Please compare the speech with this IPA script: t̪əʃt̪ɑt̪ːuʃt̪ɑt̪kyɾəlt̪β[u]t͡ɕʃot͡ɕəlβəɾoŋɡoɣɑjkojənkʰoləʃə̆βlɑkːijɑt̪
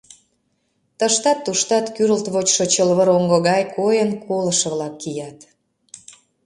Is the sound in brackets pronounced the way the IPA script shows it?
no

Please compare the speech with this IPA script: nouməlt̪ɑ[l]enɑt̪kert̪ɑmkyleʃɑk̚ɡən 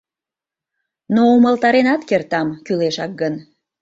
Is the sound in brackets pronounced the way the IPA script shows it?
no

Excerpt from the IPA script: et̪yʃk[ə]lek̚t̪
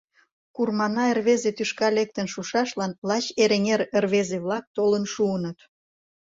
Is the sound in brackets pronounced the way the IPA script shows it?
no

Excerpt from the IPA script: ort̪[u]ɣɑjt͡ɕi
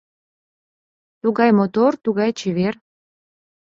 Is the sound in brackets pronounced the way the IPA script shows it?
yes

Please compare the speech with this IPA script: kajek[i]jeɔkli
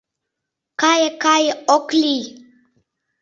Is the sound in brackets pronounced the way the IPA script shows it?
no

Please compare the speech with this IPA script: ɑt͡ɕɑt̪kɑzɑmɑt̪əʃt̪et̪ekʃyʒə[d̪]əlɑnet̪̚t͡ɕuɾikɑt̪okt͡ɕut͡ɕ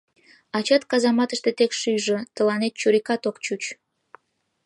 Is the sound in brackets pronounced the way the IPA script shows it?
no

